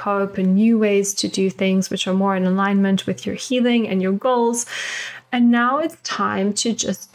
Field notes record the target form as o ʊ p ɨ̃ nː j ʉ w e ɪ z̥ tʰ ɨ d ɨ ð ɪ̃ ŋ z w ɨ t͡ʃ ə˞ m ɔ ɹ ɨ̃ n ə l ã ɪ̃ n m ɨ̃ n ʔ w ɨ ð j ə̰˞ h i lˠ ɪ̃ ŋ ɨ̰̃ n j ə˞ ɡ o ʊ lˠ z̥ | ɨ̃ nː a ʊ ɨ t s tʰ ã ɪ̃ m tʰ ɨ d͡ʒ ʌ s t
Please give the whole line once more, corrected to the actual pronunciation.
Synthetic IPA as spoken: o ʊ p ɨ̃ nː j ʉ w e ɪ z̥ tʰ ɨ d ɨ θ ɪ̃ ŋ z w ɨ t͡ʃ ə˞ m ɔ ɹ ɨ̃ n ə l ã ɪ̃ n m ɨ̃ n ʔ w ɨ ð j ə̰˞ h i lˠ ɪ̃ ŋ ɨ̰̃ n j ə˞ ɡ o ʊ lˠ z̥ | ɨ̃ nː a ʊ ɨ t s tʰ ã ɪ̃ m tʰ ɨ d͡ʒ ʌ s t